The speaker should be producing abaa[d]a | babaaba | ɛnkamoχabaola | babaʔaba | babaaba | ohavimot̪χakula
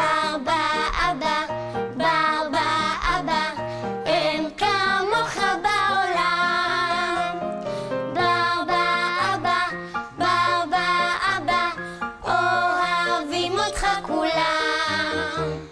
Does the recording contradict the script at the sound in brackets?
yes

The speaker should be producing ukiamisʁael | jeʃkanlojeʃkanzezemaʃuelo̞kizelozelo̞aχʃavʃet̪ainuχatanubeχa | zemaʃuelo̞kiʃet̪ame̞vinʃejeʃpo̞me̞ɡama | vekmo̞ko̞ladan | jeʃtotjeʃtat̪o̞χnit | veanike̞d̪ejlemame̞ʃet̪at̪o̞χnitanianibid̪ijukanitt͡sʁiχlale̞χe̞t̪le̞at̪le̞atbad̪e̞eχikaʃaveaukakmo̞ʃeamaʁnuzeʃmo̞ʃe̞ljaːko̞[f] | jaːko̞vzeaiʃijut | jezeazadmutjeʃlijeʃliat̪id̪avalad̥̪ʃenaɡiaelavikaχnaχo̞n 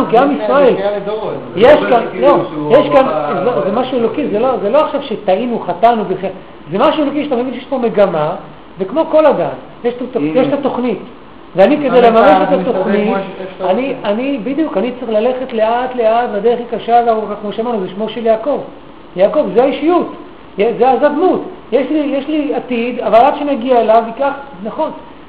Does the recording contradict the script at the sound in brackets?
yes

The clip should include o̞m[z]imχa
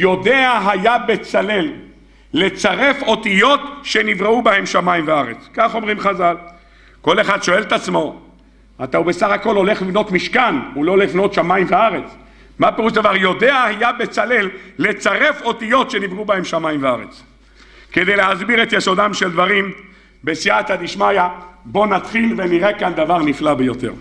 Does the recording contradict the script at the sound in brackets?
yes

